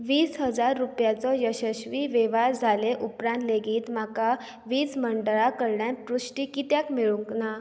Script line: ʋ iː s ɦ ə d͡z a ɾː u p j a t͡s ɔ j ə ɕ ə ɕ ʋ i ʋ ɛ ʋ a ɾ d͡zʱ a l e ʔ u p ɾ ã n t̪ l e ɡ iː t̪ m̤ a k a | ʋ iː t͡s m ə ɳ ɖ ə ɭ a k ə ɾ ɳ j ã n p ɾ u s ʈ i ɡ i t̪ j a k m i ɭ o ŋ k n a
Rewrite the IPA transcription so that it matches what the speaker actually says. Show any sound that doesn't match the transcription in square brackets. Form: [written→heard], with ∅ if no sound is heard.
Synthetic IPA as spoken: ʋ iː s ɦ ə d͡z a ɾː u p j a t͡s ɔ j ə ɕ ə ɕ ʋ i ʋ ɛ ʋ a ɾ d͡zʱ a l e ʔ u p ɾ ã n t̪ l e ɡ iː t̪ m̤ a k a | ʋ iː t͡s m ə ɳ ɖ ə ɭ a k ə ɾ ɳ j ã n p ɾ u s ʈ i [ɡ→k] i t̪ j a k m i ɭ [o→u] ŋ k n a